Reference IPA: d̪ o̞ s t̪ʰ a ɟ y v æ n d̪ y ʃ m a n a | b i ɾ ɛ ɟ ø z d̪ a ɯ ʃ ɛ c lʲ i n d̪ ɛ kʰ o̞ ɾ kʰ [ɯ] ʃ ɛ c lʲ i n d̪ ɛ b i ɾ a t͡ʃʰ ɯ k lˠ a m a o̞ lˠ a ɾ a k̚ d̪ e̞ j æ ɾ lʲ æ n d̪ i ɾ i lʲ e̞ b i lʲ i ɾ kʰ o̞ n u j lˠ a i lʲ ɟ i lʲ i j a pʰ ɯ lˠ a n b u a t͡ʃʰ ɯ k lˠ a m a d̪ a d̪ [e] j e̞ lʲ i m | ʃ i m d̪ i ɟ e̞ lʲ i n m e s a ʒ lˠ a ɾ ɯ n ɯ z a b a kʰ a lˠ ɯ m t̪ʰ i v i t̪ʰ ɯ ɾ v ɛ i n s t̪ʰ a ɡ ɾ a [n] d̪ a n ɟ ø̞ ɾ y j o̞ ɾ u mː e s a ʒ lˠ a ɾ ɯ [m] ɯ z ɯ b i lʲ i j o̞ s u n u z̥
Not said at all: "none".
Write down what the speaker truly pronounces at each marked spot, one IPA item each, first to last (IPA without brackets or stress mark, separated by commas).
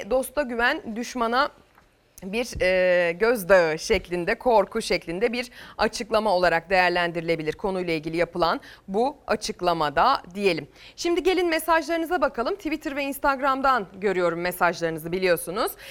u, i, m, n